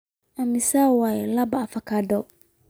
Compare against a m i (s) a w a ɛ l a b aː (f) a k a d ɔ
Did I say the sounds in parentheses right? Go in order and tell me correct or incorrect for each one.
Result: correct, correct

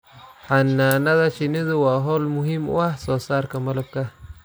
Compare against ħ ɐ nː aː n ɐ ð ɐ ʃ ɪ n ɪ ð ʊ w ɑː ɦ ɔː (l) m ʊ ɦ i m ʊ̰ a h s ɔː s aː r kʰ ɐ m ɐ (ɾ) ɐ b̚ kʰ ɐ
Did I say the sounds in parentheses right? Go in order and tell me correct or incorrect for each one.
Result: correct, incorrect: l

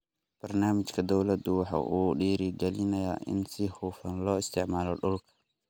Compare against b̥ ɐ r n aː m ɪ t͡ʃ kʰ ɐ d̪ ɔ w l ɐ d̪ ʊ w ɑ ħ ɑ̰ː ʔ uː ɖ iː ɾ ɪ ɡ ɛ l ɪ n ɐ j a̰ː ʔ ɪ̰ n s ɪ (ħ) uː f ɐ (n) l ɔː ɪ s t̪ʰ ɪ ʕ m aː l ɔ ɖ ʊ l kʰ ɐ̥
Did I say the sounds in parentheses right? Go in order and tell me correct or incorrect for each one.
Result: incorrect: h, correct

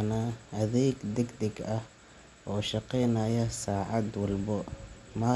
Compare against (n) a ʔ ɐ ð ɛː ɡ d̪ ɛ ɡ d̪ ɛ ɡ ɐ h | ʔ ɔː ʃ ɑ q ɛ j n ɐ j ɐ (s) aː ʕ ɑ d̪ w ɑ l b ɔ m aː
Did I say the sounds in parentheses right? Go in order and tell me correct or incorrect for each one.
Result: correct, correct

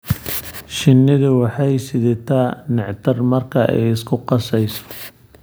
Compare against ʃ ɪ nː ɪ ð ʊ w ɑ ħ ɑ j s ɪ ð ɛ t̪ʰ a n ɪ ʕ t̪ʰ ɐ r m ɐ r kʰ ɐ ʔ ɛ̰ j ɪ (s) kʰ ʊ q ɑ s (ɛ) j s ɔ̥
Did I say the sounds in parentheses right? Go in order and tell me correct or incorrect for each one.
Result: correct, correct

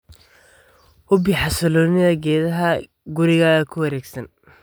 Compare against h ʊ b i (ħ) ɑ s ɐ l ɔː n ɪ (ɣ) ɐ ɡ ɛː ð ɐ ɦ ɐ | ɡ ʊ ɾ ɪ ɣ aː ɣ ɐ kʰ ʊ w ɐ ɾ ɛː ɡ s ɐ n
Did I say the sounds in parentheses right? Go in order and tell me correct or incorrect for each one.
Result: correct, incorrect: ð

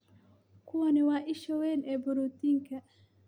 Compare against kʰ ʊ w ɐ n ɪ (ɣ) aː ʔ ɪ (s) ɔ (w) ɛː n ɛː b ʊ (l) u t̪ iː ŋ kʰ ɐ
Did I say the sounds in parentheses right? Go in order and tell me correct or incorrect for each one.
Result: incorrect: w, incorrect: ʃ, correct, incorrect: ɾ

